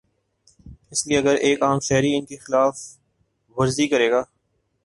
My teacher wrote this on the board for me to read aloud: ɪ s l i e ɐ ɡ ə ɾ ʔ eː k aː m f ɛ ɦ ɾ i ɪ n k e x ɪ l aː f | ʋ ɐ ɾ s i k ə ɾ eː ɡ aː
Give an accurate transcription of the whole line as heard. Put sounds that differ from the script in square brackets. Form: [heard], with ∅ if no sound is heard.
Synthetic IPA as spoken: ɪ s l i e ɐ ɡ ə ɾ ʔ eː k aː m [ʃ] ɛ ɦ ɾ i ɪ n k e x ɪ l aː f | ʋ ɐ ɾ [z] i k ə ɾ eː ɡ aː